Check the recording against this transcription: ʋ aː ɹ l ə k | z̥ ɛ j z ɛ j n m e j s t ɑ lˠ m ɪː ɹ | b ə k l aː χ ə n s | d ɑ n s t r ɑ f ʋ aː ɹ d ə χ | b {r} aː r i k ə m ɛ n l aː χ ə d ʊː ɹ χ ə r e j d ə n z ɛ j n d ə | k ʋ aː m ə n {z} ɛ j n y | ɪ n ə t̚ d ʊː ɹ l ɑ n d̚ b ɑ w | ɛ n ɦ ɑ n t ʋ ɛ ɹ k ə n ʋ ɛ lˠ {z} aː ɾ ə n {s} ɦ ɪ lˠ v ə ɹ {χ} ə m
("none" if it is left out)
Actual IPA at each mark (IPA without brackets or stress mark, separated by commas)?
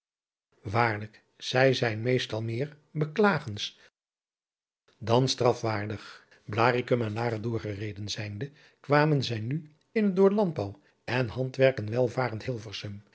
l, z, v, t, s